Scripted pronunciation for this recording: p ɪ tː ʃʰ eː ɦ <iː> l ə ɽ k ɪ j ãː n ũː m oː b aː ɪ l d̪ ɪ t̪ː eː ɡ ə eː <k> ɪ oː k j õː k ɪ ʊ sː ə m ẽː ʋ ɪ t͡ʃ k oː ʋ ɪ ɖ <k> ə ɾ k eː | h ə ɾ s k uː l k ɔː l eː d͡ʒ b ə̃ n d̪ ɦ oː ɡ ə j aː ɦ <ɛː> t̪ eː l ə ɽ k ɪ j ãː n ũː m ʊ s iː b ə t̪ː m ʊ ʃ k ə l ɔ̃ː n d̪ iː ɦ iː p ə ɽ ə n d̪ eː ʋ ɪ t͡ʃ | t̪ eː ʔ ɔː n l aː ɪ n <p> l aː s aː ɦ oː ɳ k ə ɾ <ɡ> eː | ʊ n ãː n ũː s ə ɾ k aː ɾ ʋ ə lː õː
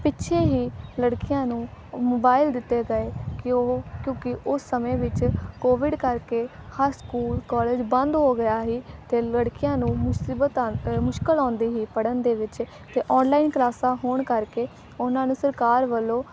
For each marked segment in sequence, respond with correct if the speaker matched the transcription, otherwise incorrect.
correct, correct, correct, incorrect: iː, incorrect: k, incorrect: k

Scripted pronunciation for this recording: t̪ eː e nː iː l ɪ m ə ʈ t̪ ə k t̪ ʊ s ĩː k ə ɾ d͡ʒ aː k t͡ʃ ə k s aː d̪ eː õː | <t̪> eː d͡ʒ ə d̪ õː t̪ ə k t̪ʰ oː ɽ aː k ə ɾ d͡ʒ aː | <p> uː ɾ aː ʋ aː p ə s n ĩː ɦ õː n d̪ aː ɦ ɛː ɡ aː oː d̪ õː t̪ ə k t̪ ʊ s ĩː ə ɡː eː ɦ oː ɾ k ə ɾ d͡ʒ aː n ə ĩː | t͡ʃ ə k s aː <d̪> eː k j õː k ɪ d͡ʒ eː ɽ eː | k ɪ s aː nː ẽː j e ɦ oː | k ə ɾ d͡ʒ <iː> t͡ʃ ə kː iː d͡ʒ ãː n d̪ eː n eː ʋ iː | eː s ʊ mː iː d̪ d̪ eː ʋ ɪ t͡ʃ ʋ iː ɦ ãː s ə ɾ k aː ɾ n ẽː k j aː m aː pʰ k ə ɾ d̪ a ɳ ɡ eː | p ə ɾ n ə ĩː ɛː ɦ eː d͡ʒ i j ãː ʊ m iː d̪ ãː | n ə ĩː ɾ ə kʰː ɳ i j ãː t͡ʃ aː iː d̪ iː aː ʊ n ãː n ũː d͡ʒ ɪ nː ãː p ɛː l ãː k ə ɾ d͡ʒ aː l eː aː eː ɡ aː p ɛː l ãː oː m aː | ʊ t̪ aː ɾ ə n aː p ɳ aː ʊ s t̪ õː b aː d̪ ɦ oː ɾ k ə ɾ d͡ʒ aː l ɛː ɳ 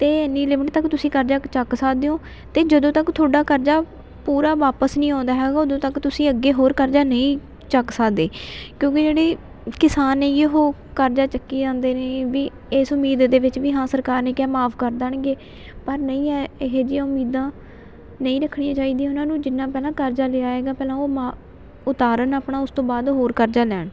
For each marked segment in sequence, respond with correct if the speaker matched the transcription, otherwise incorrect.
correct, correct, correct, incorrect: aː

